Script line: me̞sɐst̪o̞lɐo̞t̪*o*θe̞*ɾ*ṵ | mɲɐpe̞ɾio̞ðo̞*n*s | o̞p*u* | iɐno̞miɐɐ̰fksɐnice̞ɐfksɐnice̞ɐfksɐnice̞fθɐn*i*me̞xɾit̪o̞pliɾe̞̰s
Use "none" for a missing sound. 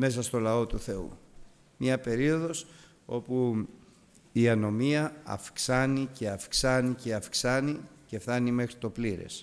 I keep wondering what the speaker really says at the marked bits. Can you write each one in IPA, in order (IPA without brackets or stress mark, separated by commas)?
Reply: u, none, none, u, i